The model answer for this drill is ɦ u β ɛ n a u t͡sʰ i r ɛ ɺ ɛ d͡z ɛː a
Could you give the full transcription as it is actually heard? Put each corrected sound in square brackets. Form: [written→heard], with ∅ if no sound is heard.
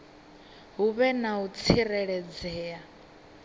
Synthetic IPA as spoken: ɦ u β ɛ n a u t͡sʰ i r ɛ ɺ ɛ d͡z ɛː a